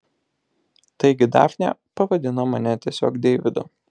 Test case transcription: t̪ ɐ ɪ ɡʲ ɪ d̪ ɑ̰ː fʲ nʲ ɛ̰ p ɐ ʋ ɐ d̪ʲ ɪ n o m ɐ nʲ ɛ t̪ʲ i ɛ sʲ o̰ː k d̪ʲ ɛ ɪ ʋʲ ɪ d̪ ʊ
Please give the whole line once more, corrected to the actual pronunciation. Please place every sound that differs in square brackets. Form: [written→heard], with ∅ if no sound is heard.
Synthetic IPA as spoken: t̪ ɐ ɪ ɡʲ ɪ d̪ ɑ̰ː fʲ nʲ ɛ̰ p ɐ ʋ ɐ d̪ʲ ɪ n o m ɐ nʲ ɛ t̪ʲ i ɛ sʲ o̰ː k d̪ʲ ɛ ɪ ʋʲ ɪ d̪ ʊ